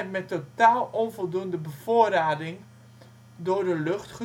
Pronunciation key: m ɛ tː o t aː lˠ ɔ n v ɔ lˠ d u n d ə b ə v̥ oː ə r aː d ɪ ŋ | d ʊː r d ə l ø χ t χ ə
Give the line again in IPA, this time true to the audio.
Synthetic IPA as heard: m ɛ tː o t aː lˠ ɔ n v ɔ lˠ d u n d ə b ə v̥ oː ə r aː d ɪ ŋ | d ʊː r d ə l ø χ t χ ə